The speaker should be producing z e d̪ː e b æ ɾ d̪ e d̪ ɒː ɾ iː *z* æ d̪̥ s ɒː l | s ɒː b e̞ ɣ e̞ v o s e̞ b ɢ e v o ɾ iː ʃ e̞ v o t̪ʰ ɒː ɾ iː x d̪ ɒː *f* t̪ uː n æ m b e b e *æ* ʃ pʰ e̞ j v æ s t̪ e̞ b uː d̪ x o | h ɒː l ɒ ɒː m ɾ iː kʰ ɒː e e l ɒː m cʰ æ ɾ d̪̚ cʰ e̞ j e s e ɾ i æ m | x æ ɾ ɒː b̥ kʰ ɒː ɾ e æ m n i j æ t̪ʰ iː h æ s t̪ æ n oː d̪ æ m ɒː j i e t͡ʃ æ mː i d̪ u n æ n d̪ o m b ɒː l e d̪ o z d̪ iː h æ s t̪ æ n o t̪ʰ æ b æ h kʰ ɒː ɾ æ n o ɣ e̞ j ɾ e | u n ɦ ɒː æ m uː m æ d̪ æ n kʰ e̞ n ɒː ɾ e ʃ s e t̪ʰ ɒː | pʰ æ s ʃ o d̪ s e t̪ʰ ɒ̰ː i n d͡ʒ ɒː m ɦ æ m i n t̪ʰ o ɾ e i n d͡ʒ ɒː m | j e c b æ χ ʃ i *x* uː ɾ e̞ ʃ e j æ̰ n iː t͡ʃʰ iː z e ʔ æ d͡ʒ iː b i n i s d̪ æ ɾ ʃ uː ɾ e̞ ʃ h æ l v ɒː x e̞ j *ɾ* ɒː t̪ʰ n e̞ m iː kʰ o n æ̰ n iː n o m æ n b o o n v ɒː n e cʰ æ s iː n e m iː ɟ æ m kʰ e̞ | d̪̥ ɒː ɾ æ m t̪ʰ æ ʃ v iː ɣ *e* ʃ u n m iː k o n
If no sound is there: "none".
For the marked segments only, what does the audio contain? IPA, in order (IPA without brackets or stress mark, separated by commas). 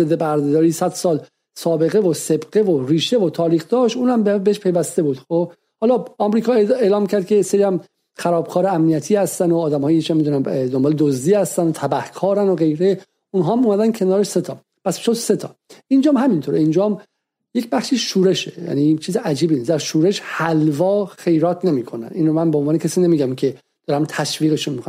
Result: s, ʃ, e, ʃ, ɾ, e